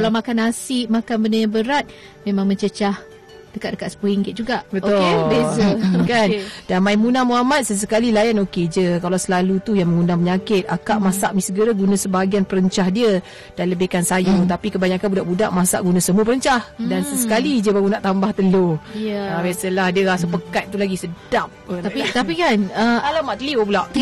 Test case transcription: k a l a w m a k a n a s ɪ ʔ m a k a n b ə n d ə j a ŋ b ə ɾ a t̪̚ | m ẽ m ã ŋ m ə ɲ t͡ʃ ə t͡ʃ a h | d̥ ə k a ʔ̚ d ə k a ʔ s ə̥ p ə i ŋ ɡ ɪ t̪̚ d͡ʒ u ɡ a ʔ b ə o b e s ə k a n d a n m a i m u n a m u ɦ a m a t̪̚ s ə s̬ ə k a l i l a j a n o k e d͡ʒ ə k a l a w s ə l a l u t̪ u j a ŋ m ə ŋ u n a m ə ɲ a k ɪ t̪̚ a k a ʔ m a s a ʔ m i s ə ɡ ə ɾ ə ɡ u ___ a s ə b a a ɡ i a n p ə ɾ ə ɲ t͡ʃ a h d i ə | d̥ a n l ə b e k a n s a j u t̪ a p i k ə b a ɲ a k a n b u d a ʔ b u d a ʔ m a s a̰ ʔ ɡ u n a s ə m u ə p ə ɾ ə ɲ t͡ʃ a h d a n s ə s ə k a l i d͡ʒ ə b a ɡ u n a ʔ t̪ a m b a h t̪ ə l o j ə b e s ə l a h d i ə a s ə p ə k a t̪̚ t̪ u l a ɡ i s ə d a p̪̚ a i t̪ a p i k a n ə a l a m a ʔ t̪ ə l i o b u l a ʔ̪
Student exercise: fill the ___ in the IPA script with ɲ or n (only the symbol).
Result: n